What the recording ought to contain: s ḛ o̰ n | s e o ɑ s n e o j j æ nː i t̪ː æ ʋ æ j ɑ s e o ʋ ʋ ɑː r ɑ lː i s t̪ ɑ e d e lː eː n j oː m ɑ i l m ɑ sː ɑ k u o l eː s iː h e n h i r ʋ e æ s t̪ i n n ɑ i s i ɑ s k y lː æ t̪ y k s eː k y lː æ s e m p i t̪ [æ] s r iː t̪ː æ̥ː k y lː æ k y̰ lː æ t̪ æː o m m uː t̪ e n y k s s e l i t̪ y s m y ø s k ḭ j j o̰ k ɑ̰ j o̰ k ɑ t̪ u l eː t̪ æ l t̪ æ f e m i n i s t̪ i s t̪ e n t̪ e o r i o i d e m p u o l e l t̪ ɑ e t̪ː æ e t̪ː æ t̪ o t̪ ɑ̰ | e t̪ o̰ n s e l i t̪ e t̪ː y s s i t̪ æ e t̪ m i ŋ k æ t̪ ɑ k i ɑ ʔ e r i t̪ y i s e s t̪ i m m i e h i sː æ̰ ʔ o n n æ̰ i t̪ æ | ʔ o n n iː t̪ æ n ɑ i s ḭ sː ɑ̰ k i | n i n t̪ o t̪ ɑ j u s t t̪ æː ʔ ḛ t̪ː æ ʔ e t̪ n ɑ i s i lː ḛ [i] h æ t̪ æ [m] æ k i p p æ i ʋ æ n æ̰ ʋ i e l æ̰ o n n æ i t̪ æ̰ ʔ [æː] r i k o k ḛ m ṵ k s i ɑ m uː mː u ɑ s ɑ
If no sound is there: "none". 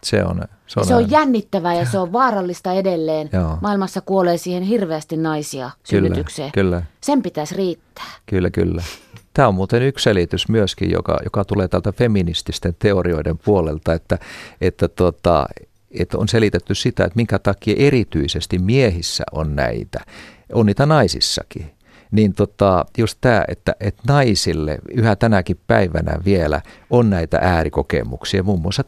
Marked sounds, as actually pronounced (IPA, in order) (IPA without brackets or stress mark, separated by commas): æ, y, n, æː